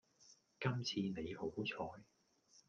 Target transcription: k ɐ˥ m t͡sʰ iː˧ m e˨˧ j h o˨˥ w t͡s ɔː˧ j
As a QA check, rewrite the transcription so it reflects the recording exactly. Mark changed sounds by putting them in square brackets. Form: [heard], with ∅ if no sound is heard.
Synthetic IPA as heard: k ɐ˥ m t͡sʰ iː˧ [n] e˨˧ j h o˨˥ w [t͡sʰ] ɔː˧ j